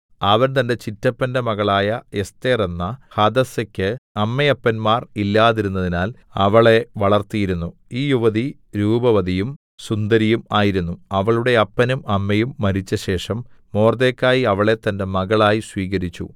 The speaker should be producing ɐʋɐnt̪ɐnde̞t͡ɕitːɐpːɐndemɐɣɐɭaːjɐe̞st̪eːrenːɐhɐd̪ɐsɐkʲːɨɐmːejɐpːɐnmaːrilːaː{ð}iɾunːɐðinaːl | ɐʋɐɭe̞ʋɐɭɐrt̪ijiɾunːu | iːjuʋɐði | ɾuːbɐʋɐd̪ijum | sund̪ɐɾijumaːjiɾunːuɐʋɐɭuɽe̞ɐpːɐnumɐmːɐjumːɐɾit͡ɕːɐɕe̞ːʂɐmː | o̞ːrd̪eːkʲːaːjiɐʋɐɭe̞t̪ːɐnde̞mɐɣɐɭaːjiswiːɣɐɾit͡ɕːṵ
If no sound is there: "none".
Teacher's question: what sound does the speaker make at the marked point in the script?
ð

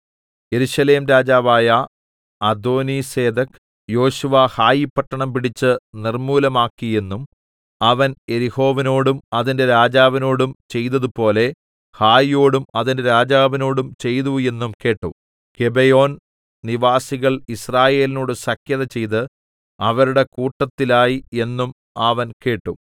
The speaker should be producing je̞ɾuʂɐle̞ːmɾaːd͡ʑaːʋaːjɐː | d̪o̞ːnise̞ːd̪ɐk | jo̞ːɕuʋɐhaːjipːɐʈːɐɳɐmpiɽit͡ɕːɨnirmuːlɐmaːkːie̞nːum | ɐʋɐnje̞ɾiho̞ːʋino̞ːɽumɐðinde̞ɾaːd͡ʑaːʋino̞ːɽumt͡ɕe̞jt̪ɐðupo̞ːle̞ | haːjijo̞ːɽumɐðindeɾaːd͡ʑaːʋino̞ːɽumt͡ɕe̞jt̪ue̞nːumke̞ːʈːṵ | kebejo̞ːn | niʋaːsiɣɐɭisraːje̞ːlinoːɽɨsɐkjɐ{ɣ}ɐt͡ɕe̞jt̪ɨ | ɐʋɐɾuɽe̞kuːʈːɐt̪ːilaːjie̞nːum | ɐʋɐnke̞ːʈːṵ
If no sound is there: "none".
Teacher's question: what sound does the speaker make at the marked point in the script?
ð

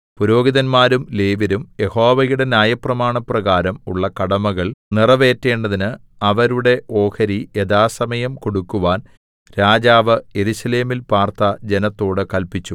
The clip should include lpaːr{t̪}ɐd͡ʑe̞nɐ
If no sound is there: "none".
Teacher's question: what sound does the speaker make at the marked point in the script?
t̪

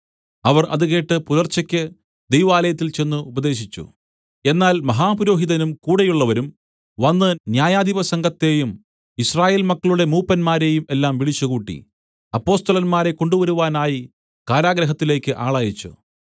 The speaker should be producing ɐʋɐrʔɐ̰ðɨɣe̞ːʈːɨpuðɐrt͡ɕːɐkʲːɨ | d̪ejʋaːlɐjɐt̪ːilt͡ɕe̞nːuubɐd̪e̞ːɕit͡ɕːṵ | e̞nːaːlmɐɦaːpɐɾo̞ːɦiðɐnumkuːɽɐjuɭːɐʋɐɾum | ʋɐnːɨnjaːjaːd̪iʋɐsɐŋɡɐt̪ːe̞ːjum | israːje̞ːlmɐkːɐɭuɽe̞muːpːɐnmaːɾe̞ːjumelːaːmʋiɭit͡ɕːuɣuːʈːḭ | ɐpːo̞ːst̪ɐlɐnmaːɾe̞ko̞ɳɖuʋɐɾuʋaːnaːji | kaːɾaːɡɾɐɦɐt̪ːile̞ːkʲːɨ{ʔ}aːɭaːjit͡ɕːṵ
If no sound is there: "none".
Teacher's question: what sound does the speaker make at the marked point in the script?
ʔ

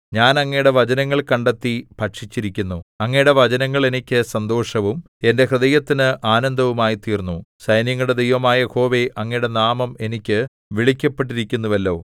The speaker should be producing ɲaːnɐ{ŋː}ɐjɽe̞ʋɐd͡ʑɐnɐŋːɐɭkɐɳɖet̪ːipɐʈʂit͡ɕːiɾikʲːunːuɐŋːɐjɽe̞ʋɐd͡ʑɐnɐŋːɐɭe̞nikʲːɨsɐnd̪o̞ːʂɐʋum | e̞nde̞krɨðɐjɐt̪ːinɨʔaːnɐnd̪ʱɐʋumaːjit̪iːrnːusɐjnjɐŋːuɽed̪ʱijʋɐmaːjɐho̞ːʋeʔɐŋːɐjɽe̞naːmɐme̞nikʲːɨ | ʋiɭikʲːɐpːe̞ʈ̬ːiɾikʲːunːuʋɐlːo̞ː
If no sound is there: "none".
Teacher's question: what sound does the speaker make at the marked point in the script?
ŋː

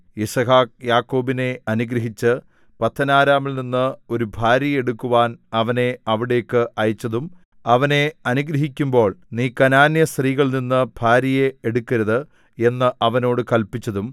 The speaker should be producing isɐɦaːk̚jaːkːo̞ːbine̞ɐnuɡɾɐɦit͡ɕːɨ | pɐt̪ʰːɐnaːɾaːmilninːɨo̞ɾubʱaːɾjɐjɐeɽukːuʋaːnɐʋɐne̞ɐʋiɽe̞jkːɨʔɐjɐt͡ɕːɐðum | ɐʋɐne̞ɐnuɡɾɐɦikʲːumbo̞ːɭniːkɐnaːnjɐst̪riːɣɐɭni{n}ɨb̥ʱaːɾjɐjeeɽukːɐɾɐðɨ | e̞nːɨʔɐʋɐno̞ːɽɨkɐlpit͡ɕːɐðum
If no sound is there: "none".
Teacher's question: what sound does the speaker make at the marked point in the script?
nː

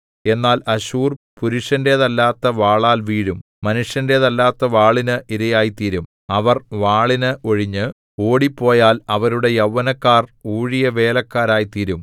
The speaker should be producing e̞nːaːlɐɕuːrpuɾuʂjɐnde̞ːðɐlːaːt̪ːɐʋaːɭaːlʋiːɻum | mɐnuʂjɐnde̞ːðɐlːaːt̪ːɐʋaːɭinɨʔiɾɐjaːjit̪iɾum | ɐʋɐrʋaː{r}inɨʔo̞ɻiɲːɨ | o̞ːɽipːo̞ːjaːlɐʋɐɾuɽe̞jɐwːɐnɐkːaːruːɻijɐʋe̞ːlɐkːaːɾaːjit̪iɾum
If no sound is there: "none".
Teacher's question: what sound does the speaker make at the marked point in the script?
ɭ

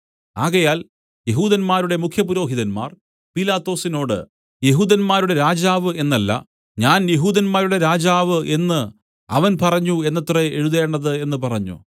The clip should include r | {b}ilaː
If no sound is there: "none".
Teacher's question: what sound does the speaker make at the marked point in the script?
p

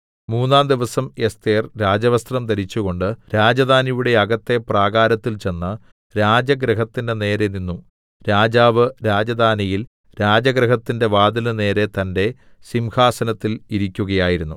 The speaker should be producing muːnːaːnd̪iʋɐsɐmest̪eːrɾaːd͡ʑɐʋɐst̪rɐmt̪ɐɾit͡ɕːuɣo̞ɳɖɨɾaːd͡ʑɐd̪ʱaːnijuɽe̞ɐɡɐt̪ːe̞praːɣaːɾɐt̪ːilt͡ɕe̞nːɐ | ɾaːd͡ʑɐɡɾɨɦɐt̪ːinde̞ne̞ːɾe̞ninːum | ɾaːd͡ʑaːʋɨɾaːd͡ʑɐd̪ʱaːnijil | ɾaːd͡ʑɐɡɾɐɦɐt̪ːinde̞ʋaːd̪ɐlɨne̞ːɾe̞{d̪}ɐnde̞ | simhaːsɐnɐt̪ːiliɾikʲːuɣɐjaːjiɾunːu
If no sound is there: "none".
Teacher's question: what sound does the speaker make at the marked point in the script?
t̪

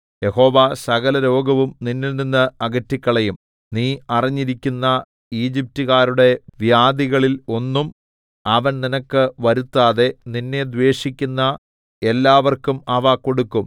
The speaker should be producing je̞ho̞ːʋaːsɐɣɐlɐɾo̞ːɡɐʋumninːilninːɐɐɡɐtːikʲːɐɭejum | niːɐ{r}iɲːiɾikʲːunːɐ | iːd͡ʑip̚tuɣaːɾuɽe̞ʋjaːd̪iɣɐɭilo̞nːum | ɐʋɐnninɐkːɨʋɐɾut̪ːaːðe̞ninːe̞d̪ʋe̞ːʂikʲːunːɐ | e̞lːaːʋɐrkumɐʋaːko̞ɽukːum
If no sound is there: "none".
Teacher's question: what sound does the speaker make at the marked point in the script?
r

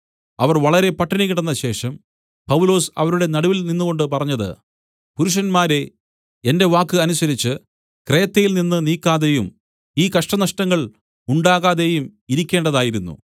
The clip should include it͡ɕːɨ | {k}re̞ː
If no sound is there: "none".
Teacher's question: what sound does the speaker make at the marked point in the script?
k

